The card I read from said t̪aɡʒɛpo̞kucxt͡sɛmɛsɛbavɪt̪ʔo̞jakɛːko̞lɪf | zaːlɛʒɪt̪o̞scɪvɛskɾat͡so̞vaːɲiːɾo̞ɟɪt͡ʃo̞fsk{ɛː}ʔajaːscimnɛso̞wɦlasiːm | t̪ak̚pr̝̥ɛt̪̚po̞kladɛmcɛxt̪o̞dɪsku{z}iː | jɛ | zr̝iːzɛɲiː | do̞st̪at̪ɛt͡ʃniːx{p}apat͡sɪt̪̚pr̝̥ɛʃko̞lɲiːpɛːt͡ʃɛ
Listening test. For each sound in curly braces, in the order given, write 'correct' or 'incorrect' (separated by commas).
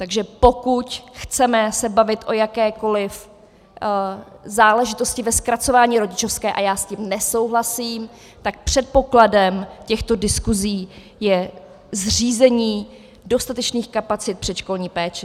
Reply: correct, correct, incorrect